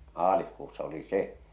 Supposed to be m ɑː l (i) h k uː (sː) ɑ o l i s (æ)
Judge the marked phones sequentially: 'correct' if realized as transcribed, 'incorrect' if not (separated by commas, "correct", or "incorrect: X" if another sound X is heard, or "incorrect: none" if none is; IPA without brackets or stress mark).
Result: correct, correct, incorrect: e